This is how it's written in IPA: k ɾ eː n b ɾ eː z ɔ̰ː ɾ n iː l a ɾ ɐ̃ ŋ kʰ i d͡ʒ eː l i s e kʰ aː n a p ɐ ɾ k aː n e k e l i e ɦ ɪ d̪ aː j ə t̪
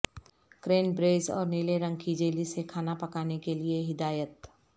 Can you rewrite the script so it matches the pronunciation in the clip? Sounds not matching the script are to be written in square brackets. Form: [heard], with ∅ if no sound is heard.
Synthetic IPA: k ɾ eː n b ɾ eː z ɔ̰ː ɾ n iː l [e] ɾ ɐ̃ ŋ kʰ i d͡ʒ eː l i s e kʰ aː n a p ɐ [∅] k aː n e k e l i e ɦ ɪ d̪ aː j ə t̪